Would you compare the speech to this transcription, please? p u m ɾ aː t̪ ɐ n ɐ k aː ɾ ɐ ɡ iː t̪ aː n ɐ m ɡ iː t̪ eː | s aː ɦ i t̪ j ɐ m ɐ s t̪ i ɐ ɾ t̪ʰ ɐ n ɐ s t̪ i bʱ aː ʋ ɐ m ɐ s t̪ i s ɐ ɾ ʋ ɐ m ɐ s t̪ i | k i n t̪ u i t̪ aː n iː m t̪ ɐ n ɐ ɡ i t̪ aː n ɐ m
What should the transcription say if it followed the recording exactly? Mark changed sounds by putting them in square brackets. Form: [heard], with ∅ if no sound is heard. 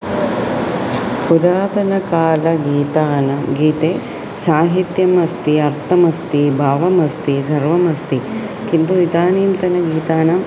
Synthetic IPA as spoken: p u [∅] ɾ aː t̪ ɐ n ɐ k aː [l] ɐ ɡ iː t̪ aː n ɐ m ɡ iː t̪ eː | s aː ɦ i t̪ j ɐ m ɐ s t̪ i ɐ ɾ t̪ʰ ɐ [m] ɐ s t̪ i bʱ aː ʋ ɐ m ɐ s t̪ i s ɐ ɾ ʋ ɐ m ɐ s t̪ i | k i n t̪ u i t̪ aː n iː m t̪ ɐ n ɐ ɡ [iː] t̪ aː n ɐ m